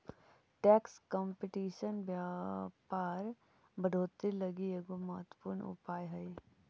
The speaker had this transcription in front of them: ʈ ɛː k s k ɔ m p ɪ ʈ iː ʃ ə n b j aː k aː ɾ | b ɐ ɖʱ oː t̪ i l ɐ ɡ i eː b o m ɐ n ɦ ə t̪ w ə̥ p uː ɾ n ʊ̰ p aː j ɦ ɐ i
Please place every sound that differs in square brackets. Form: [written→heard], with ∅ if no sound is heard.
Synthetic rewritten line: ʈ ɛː k s k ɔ m p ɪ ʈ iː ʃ ə n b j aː [k→p] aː ɾ | b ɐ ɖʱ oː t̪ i l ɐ ɡ i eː [b→ɡ] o m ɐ [n→∅] ɦ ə t̪ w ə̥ p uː ɾ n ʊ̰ p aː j ɦ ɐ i